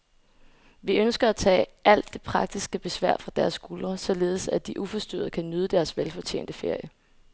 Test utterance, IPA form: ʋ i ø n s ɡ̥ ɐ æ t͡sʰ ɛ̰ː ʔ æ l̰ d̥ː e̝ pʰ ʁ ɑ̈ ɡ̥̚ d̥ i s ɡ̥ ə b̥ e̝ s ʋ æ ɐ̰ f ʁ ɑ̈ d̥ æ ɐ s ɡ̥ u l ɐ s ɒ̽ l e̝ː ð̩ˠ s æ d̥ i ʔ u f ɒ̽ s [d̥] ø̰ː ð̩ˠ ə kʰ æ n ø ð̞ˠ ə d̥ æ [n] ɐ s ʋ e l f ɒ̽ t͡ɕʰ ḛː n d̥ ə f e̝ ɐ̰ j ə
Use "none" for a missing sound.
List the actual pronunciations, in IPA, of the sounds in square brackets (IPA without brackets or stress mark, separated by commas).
d̥, none